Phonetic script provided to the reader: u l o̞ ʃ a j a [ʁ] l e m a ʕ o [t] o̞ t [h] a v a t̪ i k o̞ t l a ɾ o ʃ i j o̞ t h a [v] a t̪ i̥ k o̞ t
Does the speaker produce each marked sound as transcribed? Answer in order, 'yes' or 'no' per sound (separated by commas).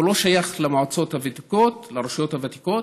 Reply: no, no, yes, yes